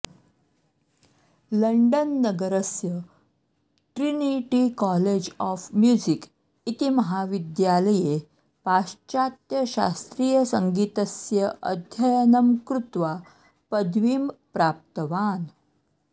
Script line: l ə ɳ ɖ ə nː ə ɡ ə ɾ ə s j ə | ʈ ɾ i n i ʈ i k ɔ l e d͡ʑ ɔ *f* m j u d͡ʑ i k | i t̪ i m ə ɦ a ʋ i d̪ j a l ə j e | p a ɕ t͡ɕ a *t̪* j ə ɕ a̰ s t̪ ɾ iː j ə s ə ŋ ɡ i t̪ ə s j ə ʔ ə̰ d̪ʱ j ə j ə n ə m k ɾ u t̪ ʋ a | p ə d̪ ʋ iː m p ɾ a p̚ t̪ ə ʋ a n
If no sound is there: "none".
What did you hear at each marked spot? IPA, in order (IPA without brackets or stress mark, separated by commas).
f, t̪